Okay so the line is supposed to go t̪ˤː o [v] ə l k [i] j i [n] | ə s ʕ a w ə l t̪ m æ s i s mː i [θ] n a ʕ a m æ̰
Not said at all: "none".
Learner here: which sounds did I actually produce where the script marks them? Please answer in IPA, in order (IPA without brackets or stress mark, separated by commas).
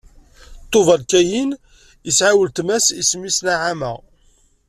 v, æ, n, s